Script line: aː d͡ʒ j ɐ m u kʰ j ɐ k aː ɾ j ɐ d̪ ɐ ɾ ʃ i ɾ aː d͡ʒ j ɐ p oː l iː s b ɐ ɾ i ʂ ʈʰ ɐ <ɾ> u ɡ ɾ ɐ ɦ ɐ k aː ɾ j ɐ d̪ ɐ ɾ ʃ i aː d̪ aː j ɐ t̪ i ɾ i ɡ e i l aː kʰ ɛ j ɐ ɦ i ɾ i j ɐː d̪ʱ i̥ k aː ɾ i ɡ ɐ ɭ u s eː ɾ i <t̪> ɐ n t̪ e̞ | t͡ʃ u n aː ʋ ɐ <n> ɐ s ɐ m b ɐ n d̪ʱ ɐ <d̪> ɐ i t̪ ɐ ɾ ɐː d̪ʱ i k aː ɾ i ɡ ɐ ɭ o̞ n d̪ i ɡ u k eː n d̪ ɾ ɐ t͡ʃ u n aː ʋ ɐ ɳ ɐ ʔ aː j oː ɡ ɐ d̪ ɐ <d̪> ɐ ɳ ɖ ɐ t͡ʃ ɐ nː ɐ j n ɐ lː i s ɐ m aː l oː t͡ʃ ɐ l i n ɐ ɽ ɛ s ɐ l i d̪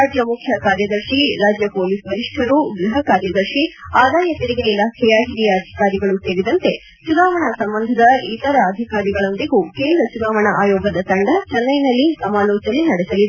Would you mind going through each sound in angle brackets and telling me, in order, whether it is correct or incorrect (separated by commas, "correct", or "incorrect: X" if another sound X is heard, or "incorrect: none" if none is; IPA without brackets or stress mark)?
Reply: correct, incorrect: d̪, incorrect: ɳ, correct, incorrect: t̪